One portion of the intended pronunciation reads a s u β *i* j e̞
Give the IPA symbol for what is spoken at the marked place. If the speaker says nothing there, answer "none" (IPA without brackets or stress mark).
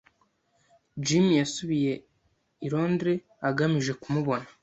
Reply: i